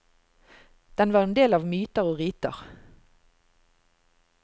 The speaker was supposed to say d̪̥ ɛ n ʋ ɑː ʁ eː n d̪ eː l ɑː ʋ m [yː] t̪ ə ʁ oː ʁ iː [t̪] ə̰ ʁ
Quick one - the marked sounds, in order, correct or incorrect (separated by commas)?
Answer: correct, correct